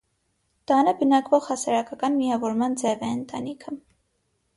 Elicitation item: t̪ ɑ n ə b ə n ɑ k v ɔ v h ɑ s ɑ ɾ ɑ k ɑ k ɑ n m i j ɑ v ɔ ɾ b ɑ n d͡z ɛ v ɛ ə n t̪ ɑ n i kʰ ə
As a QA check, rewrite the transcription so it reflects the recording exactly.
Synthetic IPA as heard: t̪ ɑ n ə b ə n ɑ k v ɔ ʁ h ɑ s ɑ ɾ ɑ k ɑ k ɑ n m i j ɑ v ɔ ɾ m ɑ n d͡z ɛ v ɛ ə n t̪ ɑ n i kʰ ə